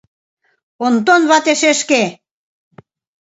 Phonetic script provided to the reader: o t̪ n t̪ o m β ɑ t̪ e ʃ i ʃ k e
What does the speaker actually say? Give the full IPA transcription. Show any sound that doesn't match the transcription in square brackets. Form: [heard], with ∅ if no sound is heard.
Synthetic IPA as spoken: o [∅] n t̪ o [n] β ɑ t̪ e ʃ [e] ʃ k e